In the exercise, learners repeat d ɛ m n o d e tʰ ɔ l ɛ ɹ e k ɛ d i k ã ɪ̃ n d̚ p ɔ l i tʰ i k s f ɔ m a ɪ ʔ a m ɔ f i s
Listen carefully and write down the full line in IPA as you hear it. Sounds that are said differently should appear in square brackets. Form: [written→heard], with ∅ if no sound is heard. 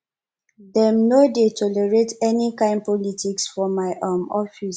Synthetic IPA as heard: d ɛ m n o d e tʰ ɔ l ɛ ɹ e [k→t] ɛ [d→n] i k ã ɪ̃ n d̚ p ɔ l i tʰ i k s f ɔ m a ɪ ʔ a m ɔ f i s

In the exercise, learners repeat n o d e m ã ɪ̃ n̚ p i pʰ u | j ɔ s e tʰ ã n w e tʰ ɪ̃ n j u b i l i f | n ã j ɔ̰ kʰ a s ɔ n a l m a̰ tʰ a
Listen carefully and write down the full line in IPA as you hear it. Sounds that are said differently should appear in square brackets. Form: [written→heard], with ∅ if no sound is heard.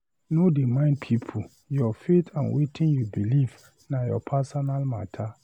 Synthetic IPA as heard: n o d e m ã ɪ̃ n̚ [p→pʰ] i pʰ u | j ɔ [s→f] e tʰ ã n w e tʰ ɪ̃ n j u b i l i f | n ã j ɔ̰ [kʰ→pʰ] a s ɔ n a l m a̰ tʰ a

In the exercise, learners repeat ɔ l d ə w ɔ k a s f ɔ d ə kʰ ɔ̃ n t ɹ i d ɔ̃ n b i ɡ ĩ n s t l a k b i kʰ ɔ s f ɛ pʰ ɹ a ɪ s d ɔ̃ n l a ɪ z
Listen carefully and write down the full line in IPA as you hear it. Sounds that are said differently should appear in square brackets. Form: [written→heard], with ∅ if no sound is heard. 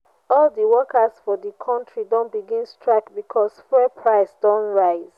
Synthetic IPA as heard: ɔ l d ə w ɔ k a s f ɔ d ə kʰ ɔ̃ n t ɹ i d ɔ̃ n b i ɡ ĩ n s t [l→ɹ] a k b i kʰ ɔ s f ɛ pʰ ɹ a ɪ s d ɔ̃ n [l→ɹ] a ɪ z

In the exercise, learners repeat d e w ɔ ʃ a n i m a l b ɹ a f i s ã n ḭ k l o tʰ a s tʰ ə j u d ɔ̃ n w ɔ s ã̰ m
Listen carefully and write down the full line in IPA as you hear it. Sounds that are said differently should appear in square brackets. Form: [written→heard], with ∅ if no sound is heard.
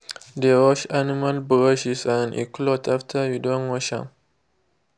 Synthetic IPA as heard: d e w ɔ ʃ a n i m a l b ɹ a [f→ʃ] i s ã n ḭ k l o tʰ a [s→f] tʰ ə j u d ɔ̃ n w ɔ [s→ʃ] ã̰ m

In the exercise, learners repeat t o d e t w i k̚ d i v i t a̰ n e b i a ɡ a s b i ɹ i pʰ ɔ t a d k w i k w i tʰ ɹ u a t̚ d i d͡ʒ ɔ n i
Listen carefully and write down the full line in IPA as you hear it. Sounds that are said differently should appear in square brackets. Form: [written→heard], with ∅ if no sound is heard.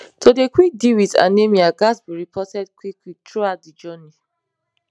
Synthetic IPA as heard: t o d e [t→k] w i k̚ d i [v→w] i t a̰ n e [b→m] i a ɡ a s b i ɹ i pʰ ɔ t [a→ɛ] d k w i k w i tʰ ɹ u a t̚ d i d͡ʒ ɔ n i

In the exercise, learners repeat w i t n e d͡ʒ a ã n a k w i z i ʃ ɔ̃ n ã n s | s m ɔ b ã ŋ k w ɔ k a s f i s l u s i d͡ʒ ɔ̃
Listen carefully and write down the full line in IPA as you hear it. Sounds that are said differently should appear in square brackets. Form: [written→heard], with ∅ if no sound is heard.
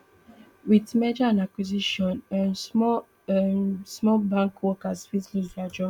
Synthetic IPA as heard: w i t [n→m] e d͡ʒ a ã n a k w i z i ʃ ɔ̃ n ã n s | s m ɔ b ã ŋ k w ɔ k a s f i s l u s [i→a] d͡ʒ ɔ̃

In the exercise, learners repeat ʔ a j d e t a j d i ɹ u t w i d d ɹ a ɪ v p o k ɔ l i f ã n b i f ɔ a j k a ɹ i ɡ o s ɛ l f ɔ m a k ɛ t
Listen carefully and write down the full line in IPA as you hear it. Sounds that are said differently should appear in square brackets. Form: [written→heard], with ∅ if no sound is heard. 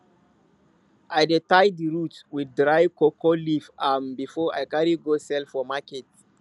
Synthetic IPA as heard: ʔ a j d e t a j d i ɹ u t w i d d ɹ a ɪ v [p→k] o k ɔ l i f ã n b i f ɔ a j k a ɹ i ɡ o s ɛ l f ɔ m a k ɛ t

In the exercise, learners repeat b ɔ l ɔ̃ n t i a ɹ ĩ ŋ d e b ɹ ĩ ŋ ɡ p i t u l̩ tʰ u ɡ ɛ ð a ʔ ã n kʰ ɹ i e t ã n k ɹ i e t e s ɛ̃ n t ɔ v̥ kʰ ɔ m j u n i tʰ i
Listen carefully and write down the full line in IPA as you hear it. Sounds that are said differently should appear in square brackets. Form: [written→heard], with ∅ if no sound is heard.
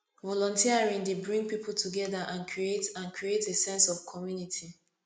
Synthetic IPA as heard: [b→v] ɔ l ɔ̃ n t i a ɹ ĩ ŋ d e b ɹ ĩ ŋ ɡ p i [t→p] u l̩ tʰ u ɡ ɛ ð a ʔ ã n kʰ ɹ i e t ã n k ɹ i e t e s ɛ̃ n [t→s] ɔ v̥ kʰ ɔ m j u n i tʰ i

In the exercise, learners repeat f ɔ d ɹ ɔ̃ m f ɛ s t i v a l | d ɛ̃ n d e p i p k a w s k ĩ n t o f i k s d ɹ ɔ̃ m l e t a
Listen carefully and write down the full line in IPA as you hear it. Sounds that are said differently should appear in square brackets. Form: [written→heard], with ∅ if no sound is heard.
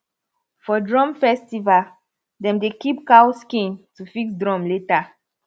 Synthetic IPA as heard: f ɔ d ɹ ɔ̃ m f ɛ s t i v a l | d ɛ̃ [n→m] d e [p→k] i p k a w s k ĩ n t [o→u] f i k s d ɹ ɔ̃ m l e t a

